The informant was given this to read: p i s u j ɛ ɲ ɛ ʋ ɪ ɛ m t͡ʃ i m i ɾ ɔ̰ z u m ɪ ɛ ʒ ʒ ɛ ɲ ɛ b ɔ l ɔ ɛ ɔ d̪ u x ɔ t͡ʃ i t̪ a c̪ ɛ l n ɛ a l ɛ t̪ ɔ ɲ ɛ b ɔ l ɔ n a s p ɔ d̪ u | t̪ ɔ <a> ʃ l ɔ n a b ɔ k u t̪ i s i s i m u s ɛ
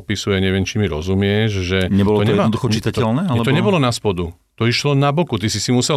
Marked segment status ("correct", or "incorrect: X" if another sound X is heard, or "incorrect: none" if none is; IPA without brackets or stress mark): incorrect: i